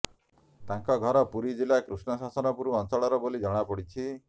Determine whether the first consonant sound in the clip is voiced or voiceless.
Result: voiceless